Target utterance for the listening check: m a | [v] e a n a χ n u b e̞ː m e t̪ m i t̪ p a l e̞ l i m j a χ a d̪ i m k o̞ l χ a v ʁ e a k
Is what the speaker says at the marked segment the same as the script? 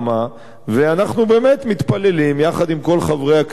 yes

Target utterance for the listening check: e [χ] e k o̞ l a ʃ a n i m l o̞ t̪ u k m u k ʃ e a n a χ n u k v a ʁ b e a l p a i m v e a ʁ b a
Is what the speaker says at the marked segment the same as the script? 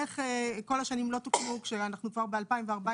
yes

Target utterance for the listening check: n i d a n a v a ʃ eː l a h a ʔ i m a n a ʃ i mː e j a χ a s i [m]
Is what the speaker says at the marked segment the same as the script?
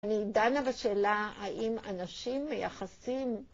yes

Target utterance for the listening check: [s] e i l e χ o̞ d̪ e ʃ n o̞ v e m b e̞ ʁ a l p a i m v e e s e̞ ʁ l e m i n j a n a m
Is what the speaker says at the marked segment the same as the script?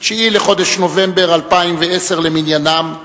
no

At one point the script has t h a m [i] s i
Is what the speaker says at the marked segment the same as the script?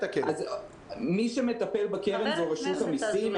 yes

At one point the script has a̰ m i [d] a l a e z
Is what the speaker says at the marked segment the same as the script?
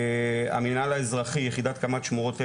no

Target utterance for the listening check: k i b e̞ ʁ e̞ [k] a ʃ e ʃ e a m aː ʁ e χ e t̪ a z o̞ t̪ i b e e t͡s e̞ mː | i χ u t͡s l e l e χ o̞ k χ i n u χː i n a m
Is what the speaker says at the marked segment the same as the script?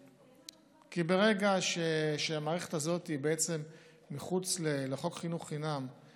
no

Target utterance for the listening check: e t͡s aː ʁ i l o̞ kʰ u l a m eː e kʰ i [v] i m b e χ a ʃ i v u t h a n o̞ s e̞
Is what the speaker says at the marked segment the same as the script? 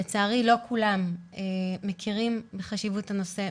no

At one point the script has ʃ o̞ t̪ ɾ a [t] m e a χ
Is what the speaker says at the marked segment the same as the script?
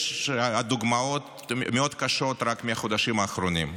no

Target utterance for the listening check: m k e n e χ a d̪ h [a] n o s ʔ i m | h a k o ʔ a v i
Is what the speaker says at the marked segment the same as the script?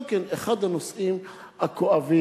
yes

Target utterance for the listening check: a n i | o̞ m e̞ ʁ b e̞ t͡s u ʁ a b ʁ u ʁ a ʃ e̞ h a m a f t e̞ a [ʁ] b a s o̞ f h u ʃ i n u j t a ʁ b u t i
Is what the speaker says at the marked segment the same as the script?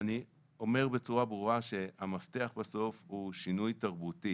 no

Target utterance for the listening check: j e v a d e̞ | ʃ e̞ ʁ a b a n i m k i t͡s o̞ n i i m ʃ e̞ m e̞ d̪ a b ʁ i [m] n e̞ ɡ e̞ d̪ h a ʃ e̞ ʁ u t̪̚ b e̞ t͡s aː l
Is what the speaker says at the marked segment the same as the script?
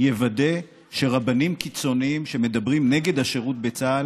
yes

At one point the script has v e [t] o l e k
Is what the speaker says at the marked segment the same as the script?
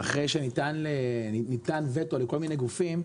yes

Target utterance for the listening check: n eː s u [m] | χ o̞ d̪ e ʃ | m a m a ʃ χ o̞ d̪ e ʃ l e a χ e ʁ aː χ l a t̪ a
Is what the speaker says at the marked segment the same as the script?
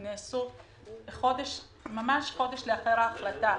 no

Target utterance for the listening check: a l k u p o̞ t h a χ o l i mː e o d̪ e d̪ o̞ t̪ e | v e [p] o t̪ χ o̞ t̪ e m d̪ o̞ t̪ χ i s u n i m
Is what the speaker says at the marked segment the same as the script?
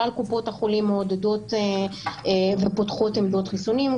yes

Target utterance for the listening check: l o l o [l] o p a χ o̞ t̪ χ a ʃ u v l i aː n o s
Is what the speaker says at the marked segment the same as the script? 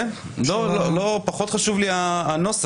yes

